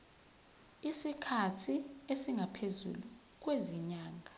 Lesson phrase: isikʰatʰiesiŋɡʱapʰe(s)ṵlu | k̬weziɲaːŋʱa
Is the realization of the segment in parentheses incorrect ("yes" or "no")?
yes